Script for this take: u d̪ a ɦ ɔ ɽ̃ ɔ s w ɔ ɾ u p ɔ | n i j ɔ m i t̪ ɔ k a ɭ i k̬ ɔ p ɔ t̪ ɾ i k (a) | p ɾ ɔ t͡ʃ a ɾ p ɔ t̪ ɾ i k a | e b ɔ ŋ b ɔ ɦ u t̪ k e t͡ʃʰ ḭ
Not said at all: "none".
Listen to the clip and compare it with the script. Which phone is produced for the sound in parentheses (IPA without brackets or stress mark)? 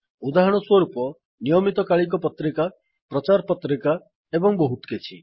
a